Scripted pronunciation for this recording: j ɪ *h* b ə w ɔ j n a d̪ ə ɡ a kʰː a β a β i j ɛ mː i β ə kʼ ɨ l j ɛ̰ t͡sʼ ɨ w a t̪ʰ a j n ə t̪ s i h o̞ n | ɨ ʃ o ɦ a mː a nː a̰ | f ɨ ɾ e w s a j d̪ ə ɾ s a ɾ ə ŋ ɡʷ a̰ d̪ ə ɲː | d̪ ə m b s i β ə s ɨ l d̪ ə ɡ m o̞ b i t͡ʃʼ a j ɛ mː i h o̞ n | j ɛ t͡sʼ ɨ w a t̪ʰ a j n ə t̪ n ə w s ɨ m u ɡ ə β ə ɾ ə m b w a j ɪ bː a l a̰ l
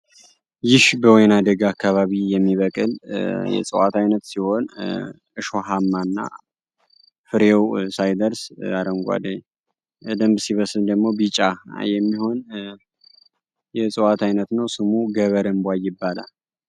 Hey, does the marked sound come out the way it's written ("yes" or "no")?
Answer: no